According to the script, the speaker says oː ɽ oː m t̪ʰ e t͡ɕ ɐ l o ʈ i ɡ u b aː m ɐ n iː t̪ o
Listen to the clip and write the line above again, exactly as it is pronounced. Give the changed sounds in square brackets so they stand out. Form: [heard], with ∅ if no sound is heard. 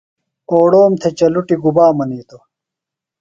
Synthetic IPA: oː ɽ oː m t̪ʰ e t͡ɕ ɐ l [u] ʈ i ɡ u b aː m ɐ n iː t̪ o